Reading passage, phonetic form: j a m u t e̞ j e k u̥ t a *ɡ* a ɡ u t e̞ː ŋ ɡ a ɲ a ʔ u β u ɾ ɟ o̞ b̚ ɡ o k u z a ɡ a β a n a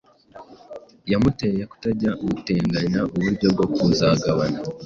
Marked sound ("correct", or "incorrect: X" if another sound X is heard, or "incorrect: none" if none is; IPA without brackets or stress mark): incorrect: ɟ